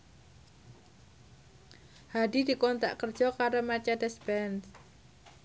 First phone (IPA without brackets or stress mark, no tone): h